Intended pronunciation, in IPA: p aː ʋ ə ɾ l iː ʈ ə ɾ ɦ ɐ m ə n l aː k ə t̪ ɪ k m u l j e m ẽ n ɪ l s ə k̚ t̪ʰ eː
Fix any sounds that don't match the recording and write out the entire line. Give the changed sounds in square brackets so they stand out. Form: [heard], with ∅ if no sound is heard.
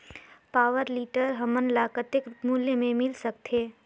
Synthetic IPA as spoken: p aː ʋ ə ɾ l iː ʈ ə ɾ ɦ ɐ m ə n l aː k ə t̪ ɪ k m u l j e m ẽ [m] ɪ l s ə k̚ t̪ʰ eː